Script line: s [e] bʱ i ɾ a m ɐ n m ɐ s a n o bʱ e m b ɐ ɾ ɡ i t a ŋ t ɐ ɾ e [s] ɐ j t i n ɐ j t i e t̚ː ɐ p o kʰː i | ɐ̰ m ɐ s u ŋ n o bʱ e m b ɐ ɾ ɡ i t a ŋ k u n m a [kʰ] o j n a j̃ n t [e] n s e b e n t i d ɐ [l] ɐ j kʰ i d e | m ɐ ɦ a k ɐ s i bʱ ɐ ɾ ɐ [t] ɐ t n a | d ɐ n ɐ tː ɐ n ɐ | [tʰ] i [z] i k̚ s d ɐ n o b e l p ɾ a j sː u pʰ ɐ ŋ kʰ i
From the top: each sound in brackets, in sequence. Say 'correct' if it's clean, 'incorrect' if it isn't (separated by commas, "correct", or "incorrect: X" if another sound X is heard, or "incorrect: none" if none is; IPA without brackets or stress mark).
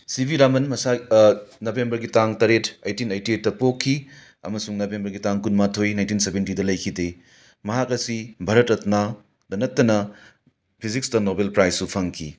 incorrect: i, incorrect: t, incorrect: tʰ, incorrect: i, correct, correct, incorrect: pʰ, correct